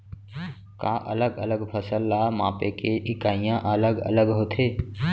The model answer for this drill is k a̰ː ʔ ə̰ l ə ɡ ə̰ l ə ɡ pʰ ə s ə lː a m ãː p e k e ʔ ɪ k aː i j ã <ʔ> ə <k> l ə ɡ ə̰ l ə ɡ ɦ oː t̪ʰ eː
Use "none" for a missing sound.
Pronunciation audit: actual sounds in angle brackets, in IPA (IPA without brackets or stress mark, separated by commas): ʔ, none